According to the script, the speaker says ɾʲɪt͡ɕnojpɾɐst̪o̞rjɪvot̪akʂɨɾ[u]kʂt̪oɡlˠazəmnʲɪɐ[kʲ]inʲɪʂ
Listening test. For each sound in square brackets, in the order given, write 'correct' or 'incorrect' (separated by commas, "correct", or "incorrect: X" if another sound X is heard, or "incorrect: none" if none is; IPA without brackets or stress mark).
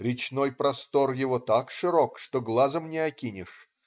incorrect: o, correct